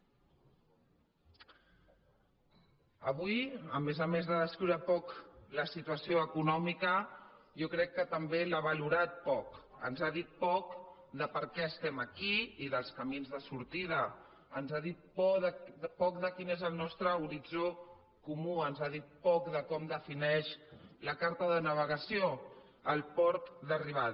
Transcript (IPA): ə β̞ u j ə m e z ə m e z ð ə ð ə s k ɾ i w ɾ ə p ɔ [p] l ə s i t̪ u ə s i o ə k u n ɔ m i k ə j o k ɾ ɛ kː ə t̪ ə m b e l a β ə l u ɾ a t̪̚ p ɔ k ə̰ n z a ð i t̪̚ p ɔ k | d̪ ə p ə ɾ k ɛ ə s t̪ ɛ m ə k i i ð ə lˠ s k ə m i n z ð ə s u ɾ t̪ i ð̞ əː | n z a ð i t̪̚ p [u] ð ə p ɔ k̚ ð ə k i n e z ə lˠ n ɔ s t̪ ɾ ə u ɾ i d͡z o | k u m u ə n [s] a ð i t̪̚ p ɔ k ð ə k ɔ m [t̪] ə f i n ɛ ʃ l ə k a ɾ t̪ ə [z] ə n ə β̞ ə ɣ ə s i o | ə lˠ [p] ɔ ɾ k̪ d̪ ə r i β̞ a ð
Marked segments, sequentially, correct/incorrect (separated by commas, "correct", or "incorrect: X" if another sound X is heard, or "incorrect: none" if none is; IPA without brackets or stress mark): incorrect: k, incorrect: ɔ, incorrect: z, incorrect: d̪, incorrect: ð, correct